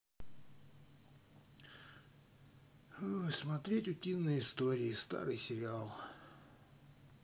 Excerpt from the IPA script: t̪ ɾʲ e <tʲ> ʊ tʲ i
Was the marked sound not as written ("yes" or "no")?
no